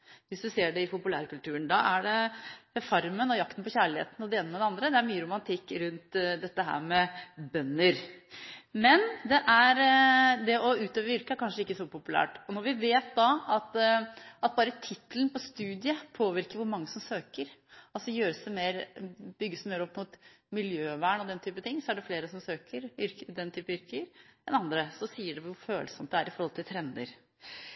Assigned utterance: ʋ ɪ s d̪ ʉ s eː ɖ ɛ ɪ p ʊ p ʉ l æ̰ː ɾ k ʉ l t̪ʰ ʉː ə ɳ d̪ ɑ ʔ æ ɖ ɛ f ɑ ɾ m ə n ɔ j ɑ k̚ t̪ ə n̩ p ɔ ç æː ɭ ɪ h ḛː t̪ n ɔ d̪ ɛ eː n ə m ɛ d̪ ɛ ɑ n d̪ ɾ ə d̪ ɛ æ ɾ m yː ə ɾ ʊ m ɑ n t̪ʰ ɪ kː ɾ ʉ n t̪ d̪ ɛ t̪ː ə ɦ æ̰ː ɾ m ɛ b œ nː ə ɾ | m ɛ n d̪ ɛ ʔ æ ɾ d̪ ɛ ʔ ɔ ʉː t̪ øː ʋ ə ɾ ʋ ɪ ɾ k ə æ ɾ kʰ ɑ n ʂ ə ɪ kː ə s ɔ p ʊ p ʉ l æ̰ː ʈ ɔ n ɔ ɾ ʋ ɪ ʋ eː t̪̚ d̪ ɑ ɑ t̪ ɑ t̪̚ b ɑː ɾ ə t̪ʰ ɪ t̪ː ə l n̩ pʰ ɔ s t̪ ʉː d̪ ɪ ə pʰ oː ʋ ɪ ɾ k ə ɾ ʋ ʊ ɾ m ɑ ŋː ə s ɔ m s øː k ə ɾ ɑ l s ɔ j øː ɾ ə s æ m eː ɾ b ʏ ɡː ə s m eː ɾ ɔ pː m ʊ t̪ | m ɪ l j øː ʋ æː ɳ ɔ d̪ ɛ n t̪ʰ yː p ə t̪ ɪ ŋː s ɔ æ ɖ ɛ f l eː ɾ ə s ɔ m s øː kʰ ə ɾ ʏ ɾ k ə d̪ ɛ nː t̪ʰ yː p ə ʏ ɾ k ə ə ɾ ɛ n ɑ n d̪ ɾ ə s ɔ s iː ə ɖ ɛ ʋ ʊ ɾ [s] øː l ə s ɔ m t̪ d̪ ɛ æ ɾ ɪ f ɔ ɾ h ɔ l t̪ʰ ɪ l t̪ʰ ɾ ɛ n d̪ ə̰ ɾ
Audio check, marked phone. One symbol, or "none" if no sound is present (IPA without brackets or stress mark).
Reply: f